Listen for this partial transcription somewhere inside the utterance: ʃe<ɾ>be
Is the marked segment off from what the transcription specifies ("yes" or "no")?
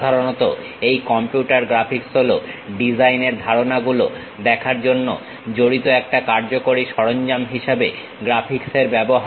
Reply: yes